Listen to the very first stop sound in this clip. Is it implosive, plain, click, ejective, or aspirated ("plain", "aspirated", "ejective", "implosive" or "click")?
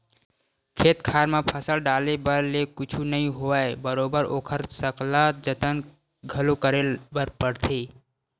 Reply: aspirated